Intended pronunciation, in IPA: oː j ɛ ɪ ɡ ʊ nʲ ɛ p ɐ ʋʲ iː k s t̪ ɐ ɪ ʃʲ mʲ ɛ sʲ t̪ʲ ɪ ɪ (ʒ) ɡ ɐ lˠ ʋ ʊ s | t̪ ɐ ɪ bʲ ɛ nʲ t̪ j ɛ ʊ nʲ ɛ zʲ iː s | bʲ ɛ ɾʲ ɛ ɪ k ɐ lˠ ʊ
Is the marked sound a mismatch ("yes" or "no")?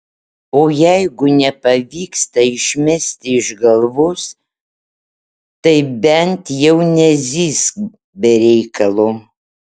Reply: no